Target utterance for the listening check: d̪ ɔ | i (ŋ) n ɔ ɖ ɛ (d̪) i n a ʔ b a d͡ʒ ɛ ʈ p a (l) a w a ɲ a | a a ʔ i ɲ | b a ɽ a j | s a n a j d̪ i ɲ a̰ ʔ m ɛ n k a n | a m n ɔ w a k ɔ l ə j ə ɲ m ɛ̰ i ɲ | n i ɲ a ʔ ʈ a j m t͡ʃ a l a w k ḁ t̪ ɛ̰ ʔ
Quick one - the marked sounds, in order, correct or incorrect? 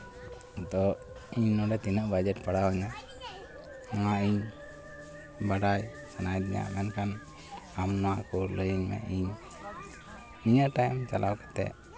incorrect, incorrect, incorrect

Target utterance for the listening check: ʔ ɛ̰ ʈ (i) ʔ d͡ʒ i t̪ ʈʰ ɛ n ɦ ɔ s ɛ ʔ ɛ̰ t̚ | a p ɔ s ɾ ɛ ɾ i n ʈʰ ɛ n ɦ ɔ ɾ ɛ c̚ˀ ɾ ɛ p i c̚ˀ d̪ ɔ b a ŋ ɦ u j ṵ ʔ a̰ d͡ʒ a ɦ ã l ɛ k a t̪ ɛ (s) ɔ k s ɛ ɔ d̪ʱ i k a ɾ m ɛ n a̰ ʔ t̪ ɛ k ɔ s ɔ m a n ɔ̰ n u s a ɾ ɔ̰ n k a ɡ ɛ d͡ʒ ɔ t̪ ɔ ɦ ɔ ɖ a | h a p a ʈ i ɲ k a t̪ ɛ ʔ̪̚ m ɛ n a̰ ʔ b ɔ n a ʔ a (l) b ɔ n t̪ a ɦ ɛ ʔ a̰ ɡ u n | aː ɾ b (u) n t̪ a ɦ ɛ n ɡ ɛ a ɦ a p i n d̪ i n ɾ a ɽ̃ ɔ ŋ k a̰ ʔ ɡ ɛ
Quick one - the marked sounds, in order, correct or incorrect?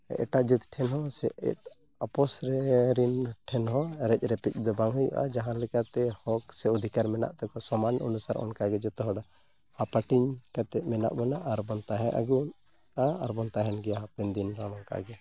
incorrect, incorrect, incorrect, incorrect

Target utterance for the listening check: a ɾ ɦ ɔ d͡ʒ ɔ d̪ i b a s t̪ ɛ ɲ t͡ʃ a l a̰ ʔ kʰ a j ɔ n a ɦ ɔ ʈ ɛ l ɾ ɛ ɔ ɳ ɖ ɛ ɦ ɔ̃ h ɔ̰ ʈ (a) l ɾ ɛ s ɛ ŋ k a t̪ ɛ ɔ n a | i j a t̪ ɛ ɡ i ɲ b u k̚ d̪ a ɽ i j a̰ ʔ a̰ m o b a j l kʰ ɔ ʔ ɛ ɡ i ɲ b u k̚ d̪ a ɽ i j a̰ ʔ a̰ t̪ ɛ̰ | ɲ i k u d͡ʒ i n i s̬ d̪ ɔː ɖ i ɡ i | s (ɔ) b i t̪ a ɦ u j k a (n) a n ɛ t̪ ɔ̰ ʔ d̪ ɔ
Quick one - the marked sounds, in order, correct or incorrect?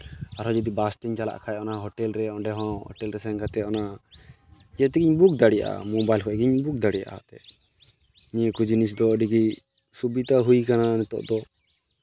incorrect, incorrect, correct

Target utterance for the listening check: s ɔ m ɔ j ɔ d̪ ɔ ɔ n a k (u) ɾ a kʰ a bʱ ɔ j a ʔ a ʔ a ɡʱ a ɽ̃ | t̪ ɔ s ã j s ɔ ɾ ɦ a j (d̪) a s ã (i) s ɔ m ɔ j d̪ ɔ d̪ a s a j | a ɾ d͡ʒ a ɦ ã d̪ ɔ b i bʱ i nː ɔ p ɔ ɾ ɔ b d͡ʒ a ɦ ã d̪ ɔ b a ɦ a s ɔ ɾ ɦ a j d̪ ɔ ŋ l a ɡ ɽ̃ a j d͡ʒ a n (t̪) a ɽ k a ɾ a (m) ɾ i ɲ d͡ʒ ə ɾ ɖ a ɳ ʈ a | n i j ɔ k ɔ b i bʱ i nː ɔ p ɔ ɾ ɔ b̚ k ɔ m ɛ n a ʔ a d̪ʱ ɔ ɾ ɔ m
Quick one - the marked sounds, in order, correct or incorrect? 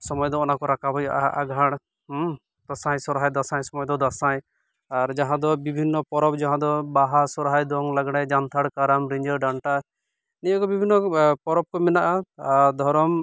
incorrect, correct, incorrect, incorrect, correct

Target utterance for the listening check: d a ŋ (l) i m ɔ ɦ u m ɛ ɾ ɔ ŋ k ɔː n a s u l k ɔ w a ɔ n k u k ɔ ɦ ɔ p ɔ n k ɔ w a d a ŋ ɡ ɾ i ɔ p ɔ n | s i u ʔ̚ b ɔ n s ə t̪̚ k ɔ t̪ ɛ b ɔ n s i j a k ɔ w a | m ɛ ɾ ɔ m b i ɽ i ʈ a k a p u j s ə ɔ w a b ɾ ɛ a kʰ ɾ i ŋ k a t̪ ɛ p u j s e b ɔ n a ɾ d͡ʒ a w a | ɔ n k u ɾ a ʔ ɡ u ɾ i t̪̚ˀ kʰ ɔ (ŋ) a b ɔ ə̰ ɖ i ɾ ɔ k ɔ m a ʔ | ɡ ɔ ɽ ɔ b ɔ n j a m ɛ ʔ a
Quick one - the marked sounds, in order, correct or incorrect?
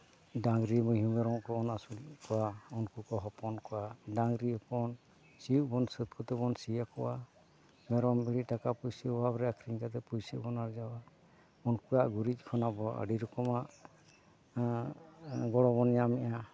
incorrect, incorrect

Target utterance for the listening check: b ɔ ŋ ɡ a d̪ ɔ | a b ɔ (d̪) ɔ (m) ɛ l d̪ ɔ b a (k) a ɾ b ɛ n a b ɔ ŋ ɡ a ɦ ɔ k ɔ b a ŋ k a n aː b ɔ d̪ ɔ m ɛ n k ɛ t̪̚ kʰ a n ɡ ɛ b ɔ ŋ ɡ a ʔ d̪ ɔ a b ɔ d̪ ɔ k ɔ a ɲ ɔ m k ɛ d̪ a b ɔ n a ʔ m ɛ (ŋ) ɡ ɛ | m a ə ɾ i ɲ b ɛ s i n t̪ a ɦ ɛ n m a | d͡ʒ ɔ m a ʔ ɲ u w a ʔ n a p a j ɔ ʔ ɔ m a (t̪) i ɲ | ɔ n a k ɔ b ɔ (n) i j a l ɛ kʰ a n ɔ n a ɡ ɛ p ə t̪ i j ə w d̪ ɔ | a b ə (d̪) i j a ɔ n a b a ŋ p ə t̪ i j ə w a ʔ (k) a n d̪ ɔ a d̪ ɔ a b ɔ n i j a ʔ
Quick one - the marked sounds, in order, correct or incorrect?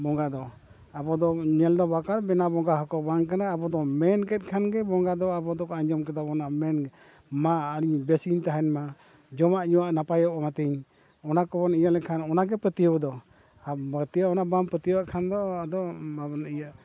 correct, incorrect, correct, incorrect, correct, correct, incorrect, incorrect

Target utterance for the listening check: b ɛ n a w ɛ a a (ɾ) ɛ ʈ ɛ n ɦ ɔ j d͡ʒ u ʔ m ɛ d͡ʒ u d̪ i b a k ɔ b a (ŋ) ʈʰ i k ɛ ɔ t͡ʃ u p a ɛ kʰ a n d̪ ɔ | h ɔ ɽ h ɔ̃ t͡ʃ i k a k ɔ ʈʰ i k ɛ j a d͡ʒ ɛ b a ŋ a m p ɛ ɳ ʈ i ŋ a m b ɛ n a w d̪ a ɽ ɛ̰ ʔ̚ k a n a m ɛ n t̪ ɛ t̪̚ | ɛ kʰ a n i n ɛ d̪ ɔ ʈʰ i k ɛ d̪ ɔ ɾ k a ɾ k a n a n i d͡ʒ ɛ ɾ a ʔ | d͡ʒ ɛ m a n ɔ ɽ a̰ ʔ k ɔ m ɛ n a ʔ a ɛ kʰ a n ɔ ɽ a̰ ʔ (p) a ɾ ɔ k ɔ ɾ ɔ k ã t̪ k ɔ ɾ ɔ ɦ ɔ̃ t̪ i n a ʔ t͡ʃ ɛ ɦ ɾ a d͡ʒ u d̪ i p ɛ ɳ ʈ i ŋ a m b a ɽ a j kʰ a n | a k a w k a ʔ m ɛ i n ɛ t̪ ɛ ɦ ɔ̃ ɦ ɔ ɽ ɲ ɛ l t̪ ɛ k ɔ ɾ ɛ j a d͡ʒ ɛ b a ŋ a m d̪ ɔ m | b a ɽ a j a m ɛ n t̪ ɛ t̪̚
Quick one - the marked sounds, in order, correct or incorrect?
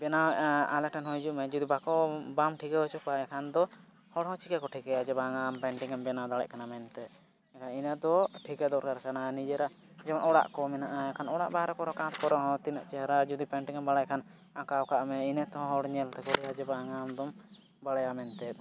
incorrect, incorrect, incorrect

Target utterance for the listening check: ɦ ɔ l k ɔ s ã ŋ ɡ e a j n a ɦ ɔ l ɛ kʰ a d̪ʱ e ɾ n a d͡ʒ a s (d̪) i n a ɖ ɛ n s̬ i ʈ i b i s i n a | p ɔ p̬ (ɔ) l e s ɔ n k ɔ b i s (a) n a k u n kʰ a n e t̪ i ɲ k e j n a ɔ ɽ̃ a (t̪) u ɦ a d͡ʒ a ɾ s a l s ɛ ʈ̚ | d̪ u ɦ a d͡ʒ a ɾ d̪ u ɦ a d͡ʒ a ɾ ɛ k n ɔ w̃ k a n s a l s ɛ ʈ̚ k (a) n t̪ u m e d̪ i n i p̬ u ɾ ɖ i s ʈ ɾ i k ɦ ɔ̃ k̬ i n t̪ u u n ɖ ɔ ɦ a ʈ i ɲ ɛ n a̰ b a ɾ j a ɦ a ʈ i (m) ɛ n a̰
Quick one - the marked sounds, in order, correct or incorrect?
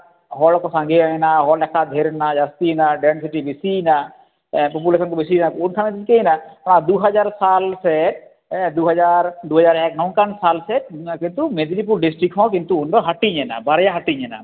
incorrect, incorrect, incorrect, incorrect, incorrect, incorrect

